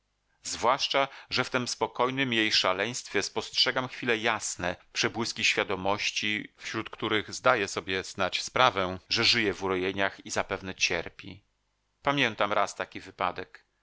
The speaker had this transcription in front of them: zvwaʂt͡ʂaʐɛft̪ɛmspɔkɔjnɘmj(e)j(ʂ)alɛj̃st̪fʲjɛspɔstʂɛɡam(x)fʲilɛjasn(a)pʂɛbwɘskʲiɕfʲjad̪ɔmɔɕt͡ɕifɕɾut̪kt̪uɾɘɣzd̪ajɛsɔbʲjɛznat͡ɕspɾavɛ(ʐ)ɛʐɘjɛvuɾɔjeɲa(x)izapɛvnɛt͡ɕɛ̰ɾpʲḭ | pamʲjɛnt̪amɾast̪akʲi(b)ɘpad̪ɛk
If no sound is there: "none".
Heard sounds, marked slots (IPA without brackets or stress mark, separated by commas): e, ʂ, x, ɛ, ʐ, x, v